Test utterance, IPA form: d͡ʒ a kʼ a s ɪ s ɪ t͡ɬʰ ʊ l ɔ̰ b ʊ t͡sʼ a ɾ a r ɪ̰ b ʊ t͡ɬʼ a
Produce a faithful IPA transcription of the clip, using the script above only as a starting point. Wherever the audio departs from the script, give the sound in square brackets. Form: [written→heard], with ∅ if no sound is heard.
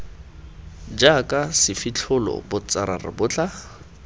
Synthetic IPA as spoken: d͡ʒ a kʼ a s ɪ [s→f] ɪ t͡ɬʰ ʊ l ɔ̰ b ʊ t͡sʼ a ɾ a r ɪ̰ b ʊ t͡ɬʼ a